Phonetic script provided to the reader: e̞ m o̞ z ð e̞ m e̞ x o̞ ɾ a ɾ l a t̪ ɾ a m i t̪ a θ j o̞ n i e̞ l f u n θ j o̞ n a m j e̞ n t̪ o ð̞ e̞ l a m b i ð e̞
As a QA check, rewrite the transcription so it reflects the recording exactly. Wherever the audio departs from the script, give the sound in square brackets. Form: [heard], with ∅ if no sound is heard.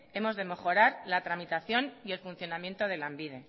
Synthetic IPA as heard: e̞ m o̞ z ð e̞ m e̞ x o̞ ɾ a ɾ l a t̪ ɾ a m i t̪ a θ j o̞ n i e̞ l f u n θ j o̞ n a m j e̞ n t̪ o ð̞ e̞ l a m b i ð e̞